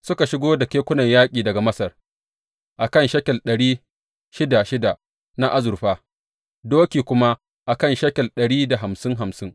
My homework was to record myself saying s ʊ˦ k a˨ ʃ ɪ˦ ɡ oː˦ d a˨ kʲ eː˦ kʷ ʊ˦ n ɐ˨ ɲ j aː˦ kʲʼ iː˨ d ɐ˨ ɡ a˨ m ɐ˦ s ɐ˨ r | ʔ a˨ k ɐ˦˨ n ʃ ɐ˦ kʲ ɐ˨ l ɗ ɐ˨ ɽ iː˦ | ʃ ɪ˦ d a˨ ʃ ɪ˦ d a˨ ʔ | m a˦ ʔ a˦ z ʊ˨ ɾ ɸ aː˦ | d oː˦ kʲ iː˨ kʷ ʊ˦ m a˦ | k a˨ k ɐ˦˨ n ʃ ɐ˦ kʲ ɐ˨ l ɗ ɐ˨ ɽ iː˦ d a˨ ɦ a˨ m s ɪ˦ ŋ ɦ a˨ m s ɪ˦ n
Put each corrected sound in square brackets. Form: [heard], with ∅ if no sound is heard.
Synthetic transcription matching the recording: s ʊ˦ k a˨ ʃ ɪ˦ ɡ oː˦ d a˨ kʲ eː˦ kʷ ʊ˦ n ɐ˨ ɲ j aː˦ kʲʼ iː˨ d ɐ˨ ɡ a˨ m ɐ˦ s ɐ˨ r | ʔ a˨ k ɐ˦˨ n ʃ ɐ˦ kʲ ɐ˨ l ɗ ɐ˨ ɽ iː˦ | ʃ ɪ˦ d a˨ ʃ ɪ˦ d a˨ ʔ | [n] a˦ ʔ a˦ z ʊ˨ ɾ ɸ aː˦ | d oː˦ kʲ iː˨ kʷ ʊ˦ m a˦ | [ʔ] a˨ k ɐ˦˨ n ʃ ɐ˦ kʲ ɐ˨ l ɗ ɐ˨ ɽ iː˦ d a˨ ɦ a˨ m s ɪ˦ ŋ ɦ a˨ m s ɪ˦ [ŋ]

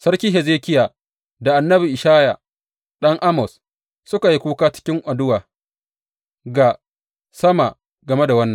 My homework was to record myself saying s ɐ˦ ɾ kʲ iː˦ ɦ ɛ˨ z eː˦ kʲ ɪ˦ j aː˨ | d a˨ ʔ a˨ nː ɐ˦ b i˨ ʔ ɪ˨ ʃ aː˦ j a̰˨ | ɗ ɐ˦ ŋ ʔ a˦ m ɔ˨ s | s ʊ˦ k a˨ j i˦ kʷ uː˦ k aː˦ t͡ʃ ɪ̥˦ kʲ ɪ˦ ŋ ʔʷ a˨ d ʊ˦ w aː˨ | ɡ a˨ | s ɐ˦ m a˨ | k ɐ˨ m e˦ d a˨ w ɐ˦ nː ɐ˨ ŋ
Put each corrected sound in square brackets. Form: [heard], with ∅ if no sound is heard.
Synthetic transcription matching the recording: s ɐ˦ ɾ kʲ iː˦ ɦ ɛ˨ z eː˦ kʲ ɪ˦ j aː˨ | d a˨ ʔ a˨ nː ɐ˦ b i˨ ʔ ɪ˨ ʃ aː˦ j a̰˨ | ɗ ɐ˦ ŋ ʔ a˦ m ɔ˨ s | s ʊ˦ k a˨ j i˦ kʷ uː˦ k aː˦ t͡ʃ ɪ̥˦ kʲ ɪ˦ ŋ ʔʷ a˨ d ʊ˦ w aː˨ | ɡ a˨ | s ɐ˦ m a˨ | [ɡ] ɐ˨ m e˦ d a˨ w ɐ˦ nː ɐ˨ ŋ

